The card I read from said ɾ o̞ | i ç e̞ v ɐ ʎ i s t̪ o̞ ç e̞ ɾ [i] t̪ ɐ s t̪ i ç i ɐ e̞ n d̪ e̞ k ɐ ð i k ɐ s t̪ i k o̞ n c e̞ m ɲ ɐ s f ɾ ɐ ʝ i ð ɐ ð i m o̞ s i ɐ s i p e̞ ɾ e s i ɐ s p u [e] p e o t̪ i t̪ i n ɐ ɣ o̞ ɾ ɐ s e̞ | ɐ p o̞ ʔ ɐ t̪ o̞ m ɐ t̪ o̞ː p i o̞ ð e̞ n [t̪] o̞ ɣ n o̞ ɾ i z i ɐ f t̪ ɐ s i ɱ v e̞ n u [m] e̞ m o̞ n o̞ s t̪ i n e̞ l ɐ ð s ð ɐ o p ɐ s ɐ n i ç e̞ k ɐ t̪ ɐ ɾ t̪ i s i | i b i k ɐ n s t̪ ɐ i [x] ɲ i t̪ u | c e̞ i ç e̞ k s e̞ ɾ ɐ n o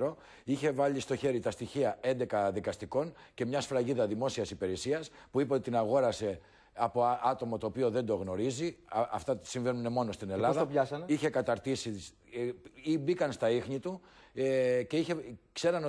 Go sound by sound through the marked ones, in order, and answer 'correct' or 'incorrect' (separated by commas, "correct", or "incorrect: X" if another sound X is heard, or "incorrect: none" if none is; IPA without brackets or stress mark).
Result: correct, incorrect: i, incorrect: d̪, incorrect: n, correct